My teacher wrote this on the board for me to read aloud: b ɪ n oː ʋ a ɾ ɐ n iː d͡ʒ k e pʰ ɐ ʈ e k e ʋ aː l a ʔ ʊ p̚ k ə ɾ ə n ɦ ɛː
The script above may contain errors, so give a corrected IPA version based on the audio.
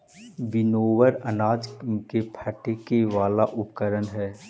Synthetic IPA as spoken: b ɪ n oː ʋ ə ɾ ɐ n aː d͡ʒ k e pʰ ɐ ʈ e k e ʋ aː l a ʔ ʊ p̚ k ə ɾ ə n ɦ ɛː